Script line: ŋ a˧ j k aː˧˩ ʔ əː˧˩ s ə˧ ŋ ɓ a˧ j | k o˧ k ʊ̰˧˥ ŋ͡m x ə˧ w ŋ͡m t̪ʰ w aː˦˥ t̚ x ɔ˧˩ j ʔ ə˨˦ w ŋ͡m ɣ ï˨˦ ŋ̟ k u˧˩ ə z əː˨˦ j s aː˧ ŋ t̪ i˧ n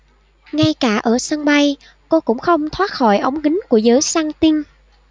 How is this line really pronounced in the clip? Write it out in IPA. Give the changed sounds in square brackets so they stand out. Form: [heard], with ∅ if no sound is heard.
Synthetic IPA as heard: ŋ a˧ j k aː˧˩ ʔ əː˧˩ s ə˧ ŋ ɓ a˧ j | k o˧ k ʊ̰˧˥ ŋ͡m x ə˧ w ŋ͡m t̪ʰ w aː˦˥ t̚ x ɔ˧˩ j ʔ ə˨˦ w ŋ͡m ɣ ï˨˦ ŋ̟ k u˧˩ ə z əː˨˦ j s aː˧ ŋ t̪ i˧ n